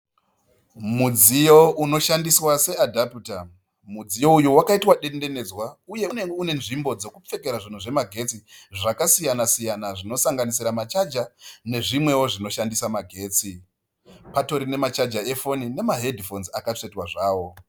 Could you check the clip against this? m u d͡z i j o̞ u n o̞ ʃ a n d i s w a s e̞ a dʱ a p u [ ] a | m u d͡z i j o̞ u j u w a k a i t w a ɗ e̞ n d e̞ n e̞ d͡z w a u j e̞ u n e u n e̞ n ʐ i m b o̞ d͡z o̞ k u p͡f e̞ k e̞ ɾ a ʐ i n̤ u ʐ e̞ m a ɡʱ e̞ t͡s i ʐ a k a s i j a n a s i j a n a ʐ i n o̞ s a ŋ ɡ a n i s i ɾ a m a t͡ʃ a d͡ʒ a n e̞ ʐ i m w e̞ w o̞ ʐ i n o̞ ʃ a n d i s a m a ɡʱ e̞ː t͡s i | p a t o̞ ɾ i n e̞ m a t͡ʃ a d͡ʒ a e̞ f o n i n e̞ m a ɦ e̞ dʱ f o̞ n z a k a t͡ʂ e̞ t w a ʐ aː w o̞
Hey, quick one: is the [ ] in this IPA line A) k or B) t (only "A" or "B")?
B